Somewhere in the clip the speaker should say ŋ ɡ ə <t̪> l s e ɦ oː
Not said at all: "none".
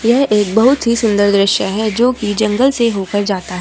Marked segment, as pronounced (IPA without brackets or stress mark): none